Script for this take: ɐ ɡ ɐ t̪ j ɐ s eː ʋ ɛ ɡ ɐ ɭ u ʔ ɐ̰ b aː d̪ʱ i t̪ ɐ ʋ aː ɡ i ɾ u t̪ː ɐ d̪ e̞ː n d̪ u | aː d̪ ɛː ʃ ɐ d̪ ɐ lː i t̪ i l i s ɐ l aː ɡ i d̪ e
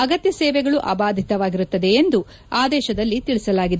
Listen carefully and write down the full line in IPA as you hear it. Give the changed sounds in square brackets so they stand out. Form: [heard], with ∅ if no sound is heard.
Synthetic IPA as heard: ɐ ɡ ɐ t̪ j ɐ s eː ʋ ɛ ɡ ɐ ɭ u ʔ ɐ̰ b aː d̪ʱ i t̪ ɐ ʋ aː ɡ i ɾ u t̪ː ɐ d̪ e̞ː n d̪ u | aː d̪ ɛː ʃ ɐ d̪ ɐ lː i t̪ i [ɭ] i s ɐ l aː ɡ i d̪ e